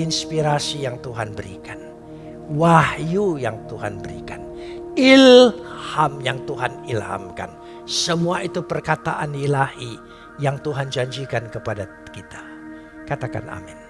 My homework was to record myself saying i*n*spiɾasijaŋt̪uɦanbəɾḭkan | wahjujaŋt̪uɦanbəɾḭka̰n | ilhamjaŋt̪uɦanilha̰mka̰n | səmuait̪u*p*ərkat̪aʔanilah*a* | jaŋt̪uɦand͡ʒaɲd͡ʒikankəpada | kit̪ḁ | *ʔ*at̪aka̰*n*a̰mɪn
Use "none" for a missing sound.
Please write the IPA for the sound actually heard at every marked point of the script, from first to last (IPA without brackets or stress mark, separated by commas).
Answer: n, p, i, k, n